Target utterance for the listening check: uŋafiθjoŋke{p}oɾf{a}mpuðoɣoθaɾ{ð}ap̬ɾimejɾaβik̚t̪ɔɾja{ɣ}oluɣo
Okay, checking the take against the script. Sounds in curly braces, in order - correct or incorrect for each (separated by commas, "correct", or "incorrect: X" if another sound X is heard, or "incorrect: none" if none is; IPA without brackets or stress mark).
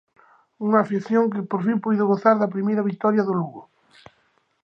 correct, incorrect: i, correct, incorrect: ð